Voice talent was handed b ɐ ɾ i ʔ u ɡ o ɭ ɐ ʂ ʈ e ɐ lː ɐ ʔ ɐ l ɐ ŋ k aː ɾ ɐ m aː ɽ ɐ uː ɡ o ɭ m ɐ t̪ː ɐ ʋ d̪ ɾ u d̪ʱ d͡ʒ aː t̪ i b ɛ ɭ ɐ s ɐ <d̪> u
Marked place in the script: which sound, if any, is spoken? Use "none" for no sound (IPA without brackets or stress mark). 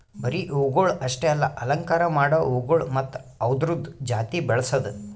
d̪